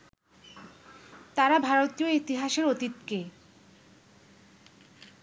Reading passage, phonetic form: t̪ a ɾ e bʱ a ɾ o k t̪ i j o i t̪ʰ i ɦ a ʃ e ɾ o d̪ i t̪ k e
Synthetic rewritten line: t̪ a ɾ a bʱ a ɾ o t̪ i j o i t̪ i ɦ a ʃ e ɾ o t̪ i t̪ k e

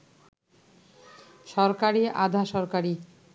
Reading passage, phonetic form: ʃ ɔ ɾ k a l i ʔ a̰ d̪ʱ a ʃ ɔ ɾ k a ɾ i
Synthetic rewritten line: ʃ ɔ ɾ k a ɾ i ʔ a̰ d̪ʱ a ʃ ɔ ɾ k a ɾ i

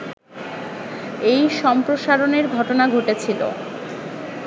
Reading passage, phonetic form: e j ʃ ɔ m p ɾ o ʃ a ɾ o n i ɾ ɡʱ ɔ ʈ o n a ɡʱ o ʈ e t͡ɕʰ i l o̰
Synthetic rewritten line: e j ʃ ɔ m p ɾ o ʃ a ɾ o n e ɾ ɡʱ ɔ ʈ o n a ɡʱ o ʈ e t͡ɕʰ i l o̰

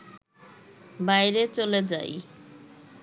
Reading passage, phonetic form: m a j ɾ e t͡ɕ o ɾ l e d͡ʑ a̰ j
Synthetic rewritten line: b a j ɾ e t͡ɕ o l e d͡ʑ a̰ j

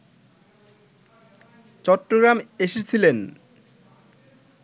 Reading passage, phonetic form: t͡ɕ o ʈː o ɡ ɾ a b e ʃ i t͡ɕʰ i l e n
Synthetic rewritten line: t͡ɕ ɔ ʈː o ɡ ɾ a m e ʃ e t͡ɕʰ i l e n

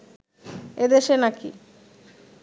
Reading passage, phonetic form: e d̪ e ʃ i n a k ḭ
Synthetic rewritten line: e d̪ e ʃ e n a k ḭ

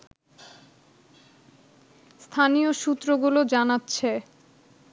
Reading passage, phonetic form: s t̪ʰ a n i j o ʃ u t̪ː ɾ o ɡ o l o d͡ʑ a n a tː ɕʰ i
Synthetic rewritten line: s t̪ʰ a n i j o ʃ u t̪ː ɾ o ɡ u l o d͡ʑ a n a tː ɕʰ e

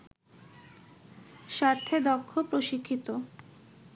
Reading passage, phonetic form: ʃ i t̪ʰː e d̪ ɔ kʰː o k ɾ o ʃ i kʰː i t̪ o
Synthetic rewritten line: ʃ a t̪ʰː e d̪ ɔ kʰː o p ɾ o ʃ i kʰː i t̪ o

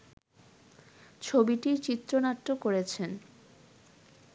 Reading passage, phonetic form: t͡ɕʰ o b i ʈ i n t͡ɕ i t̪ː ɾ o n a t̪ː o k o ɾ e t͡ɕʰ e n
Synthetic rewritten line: t͡ɕʰ o b i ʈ i t͡ɕ i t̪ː ɾ o n a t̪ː o k o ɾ e t͡ɕʰ e n

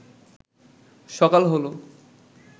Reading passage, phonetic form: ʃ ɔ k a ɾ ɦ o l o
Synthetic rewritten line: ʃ ɔ k a l ɦ o l o

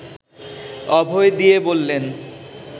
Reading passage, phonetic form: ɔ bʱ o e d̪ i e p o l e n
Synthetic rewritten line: ɔ bʱ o e d̪ i e b o lː e n

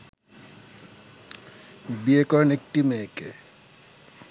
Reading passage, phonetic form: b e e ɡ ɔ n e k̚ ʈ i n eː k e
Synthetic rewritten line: b i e k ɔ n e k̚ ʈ i m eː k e

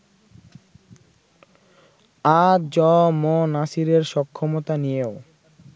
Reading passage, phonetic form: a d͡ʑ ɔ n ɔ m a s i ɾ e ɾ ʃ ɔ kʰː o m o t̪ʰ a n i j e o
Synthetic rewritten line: a d͡ʑ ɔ m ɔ n a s i ɾ e ɾ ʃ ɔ kʰː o m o t̪ a n i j e o

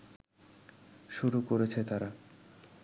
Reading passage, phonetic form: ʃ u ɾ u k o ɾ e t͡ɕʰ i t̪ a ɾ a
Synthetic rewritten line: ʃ u ɾ u k o ɾ e t͡ɕʰ e t̪ a ɾ a

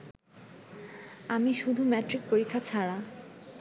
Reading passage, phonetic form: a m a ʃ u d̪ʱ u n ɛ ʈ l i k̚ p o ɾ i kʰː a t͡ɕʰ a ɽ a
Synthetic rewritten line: a m i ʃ u d̪ʱ u m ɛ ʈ ɾ i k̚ p o ɾ i kʰː a t͡ɕʰ a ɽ a

